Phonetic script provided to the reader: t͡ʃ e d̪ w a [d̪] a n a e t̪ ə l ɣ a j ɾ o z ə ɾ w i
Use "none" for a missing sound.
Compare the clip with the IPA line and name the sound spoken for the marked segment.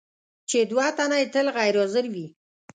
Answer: t̪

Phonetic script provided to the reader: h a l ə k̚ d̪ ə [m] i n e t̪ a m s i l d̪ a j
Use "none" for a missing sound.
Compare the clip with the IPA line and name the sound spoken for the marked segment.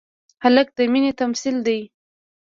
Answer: m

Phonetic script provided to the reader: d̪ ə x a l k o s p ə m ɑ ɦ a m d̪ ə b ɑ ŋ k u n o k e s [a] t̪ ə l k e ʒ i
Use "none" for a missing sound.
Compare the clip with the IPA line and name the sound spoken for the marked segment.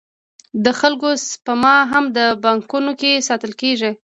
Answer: ɑ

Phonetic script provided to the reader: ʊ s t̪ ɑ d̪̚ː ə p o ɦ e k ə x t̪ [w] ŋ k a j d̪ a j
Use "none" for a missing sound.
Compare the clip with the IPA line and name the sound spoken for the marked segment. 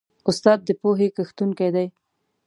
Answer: u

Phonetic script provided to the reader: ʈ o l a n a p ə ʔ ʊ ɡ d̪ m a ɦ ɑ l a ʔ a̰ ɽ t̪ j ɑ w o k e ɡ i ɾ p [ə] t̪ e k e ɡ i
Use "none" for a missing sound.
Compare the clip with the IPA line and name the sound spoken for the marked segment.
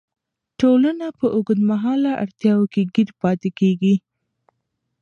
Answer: ɑ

